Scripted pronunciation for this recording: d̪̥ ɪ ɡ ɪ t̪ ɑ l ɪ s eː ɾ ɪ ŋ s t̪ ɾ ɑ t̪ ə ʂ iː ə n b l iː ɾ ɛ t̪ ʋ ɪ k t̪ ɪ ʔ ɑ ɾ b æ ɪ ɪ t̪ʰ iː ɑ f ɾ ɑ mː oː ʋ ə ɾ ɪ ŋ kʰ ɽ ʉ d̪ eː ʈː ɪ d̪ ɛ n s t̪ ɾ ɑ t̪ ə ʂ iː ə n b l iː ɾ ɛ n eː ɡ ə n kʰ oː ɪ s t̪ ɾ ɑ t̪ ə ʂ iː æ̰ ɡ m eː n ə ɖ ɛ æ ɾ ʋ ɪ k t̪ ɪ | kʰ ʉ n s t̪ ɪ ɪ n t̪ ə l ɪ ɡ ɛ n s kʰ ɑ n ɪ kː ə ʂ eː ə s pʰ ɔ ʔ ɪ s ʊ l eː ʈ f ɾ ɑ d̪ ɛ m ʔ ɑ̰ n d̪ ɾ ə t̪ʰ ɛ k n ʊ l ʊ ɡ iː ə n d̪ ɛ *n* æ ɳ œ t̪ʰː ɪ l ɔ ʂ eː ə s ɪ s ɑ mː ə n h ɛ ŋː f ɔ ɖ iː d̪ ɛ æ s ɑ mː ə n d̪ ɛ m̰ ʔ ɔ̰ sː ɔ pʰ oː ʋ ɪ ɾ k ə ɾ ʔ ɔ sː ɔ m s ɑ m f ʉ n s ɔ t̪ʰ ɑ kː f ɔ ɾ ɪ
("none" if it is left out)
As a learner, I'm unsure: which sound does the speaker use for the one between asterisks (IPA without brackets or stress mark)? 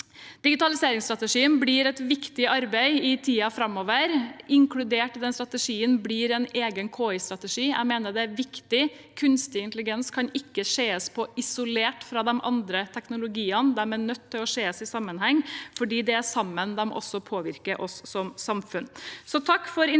m